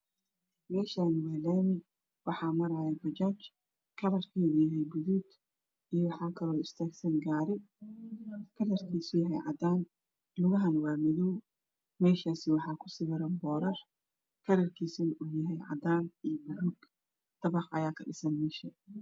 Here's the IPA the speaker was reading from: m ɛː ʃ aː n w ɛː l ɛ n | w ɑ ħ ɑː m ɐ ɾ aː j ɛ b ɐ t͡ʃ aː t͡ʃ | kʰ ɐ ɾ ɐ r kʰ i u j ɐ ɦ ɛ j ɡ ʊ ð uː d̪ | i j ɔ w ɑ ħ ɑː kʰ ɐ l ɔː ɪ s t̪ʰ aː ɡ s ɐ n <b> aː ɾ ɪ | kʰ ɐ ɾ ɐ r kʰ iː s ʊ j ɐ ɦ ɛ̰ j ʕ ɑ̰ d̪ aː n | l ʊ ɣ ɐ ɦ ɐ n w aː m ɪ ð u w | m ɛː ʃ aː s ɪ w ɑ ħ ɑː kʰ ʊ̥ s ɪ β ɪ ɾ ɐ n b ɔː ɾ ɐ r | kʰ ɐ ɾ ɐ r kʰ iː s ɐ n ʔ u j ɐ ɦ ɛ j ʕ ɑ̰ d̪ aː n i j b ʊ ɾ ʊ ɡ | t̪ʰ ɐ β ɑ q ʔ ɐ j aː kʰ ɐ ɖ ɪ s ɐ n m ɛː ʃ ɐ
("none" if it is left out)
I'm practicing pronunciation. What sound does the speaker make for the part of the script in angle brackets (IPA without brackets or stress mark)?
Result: ɡ